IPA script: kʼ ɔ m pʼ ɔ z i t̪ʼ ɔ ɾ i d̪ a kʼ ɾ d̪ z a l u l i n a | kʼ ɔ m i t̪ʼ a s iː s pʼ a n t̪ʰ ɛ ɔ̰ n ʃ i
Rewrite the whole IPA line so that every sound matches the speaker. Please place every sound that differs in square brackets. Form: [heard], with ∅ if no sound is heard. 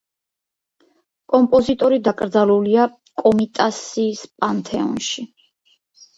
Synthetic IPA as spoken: kʼ ɔ m pʼ ɔ z i t̪ʼ ɔ ɾ i d̪ a kʼ ɾ d̪ z a l u l i [∅] a | kʼ ɔ m i t̪ʼ a s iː s pʼ a n t̪ʰ ɛ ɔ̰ n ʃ i